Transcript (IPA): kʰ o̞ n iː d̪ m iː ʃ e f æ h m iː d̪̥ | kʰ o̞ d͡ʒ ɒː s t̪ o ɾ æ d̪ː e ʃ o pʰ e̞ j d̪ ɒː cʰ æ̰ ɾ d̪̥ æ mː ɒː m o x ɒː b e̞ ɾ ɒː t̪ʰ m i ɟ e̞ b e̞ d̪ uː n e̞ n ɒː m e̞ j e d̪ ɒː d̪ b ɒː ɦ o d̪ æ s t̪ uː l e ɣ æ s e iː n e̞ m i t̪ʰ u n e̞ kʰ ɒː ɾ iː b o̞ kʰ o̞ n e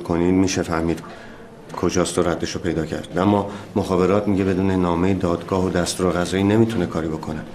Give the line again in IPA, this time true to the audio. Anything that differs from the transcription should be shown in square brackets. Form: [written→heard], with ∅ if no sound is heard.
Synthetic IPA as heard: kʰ o̞ n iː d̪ m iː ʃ e f æ h m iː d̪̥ | kʰ o̞ d͡ʒ ɒː s t̪ o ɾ æ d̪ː e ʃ o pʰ e̞ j d̪ ɒː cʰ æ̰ ɾ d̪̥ æ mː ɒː m o x ɒː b e̞ ɾ ɒː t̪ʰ m i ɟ e̞ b e̞ d̪ uː n e̞ n ɒː m e̞ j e d̪ ɒː d̪ [b→ɡ] ɒː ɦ o d̪ æ s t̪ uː [l→ɾ] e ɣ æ [s→z] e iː n e̞ m i t̪ʰ u n e̞ kʰ ɒː ɾ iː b o̞ kʰ o̞ n e